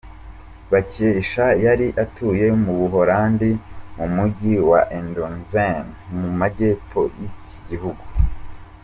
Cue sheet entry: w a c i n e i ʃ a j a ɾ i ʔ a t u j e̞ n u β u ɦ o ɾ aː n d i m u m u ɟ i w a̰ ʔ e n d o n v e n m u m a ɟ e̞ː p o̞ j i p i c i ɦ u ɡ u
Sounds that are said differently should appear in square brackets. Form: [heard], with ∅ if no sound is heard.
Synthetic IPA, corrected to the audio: [β] a c i [∅] e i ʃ a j a ɾ i ʔ a t u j e̞ [m] u β u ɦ o ɾ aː n d i m u m u ɟ i w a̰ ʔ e n d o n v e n m u m a ɟ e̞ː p o̞ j i [c] i [ɟ] i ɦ u ɡ u